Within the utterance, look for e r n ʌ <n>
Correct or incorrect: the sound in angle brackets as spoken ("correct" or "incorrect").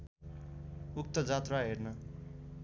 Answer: incorrect